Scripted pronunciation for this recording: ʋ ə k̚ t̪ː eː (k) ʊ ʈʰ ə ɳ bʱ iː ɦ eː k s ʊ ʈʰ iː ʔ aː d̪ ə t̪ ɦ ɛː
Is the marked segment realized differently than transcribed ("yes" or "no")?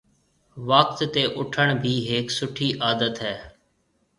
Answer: yes